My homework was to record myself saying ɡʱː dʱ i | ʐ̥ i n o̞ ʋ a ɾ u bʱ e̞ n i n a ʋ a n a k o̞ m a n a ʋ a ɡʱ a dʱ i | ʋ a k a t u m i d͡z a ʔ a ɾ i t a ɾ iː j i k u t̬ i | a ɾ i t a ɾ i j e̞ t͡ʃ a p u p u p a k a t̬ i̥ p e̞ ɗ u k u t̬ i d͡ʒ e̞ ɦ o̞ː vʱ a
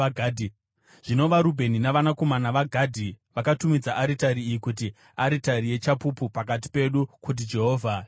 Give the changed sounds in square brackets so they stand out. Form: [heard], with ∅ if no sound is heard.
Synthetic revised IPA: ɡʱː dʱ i | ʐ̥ i n o̞ ʋ a ɾ u bʱ e̞ n i n a ʋ a n a k o̞ m a n a ʋ a ɡʱ a dʱ i | ʋ a k a t u m i d͡z a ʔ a ɾ i t a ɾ iː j i k u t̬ i | a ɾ i t a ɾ i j e̞ t͡ʃ a p u p u p a k a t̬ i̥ p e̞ ɗ u k u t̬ i d͡ʒ e̞ ɦ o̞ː vʱ a